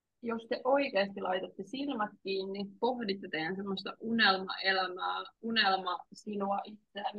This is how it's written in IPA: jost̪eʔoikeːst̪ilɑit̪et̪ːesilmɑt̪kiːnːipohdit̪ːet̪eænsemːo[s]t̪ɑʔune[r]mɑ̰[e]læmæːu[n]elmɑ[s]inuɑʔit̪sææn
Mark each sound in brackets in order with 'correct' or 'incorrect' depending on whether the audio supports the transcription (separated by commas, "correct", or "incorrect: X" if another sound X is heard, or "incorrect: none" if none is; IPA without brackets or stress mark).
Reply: correct, incorrect: l, correct, correct, correct